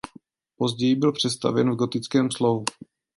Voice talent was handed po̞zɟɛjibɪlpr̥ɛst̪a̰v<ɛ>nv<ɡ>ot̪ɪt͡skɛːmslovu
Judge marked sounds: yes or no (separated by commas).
yes, yes